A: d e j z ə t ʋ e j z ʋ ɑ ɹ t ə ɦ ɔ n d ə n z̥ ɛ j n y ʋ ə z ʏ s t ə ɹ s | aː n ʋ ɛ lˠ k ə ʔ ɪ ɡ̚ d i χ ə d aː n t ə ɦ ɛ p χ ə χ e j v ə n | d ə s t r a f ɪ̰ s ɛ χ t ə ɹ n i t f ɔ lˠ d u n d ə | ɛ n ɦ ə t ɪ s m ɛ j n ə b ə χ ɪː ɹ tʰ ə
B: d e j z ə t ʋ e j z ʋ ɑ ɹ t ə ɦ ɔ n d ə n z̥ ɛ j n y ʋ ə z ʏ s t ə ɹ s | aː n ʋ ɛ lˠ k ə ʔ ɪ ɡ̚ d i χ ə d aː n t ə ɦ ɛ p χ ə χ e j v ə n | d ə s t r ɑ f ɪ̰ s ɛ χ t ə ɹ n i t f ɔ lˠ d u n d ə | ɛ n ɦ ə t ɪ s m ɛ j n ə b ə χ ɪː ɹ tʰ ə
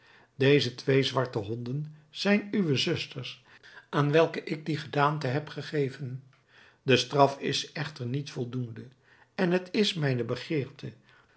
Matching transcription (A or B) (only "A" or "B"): B